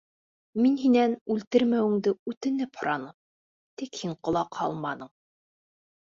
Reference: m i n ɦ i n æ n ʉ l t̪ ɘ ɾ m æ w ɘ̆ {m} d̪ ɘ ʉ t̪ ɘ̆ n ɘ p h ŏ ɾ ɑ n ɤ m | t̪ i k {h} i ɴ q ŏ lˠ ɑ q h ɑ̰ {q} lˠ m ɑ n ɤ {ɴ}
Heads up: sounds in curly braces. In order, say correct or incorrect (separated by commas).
incorrect, correct, incorrect, correct